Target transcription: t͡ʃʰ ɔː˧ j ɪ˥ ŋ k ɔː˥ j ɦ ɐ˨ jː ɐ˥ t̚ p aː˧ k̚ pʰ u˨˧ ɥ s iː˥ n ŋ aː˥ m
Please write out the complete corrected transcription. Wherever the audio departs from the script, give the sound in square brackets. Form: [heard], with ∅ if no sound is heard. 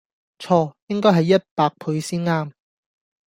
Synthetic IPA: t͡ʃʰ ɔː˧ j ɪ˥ ŋ k ɔː˥ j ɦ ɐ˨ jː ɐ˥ t̚ p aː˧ k̚ pʰ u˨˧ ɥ s iː˥ n ŋ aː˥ m